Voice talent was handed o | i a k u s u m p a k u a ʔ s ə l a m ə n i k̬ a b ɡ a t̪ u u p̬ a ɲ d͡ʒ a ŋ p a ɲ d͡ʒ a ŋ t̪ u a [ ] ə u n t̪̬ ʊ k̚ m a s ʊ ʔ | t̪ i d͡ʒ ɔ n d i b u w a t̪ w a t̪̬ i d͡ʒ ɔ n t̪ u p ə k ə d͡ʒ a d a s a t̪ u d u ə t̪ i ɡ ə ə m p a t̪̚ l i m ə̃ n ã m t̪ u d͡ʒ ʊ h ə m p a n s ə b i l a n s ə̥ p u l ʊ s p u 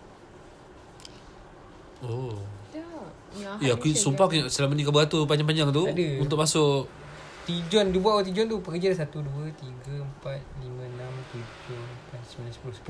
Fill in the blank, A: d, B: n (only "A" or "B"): A